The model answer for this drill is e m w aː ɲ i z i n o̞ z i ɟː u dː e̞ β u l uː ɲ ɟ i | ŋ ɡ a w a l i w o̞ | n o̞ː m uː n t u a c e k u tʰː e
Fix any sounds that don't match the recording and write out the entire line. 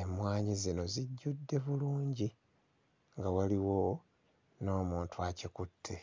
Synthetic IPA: e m w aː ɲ i z i n o̞ z i ɟː u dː e̞ β u l uː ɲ ɟ i | ŋ ɡ a w a l i w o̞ | n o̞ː m uː n t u a c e k u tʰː e